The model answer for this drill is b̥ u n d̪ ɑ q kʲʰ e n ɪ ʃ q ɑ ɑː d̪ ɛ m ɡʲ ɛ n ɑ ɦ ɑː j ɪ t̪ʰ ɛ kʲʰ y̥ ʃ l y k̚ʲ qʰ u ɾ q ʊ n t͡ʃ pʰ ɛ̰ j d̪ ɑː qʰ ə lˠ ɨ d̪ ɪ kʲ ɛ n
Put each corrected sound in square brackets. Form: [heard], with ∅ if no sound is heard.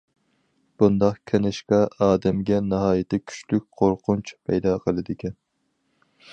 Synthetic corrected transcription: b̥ u n d̪ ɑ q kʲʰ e n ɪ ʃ q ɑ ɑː d̪ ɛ m ɡʲ ɛ n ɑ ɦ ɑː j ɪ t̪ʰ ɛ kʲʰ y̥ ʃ l y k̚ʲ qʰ [o] ɾ q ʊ n t͡ʃ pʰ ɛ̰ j d̪ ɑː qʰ ə lˠ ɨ d̪ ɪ kʲ ɛ n